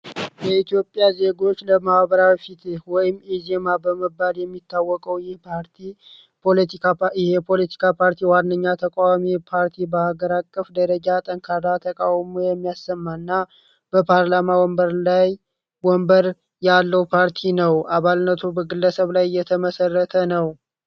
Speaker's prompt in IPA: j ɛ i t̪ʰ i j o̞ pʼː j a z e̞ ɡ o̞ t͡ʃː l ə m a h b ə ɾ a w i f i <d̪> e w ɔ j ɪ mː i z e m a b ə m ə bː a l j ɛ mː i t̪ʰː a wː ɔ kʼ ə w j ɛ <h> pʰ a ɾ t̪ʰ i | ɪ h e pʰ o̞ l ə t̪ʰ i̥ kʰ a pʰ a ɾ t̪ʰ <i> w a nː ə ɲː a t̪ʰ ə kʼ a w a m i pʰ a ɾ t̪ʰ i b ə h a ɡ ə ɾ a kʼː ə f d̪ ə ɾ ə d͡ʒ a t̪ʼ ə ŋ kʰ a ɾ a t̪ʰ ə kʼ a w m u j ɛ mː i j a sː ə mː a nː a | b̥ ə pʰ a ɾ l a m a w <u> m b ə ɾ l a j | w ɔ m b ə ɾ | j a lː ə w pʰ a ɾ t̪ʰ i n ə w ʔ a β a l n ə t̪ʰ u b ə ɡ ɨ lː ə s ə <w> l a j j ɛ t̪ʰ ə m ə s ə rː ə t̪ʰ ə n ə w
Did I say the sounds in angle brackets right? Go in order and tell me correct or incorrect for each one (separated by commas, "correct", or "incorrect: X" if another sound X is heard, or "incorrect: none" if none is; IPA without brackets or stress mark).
incorrect: t̪, correct, correct, incorrect: ɔ, incorrect: β